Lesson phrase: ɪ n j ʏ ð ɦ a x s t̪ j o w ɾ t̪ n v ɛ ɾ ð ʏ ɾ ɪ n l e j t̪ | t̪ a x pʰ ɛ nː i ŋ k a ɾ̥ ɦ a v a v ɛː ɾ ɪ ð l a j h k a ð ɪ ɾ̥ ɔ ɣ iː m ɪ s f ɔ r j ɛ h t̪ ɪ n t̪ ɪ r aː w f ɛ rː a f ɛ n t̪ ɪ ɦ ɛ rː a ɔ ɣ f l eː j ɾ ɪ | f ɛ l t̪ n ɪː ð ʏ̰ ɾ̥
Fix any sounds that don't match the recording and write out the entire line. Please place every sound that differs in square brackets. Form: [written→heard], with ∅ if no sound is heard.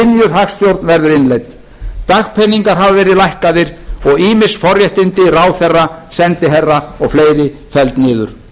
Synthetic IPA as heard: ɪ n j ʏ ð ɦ a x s t̪ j o w ɾ t̪ n v ɛ ɾ ð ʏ ɾ ɪ n l e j t̪ | t̪ a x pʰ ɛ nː i ŋ k a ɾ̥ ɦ a v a v ɛː ɾ ɪ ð l a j h k a ð ɪ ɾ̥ ɔ ɣ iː m ɪ s f ɔ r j ɛ h t̪ ɪ n t̪ ɪ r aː w [f→θ] ɛ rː a [f→s] ɛ n t̪ ɪ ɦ ɛ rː a ɔ ɣ f l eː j ɾ ɪ | f ɛ l t̪ n ɪː ð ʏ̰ ɾ̥